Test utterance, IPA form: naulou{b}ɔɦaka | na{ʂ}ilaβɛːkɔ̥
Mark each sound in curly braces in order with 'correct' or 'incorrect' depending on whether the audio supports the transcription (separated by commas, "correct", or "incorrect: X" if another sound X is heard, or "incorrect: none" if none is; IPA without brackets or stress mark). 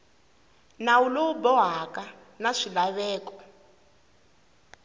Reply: correct, correct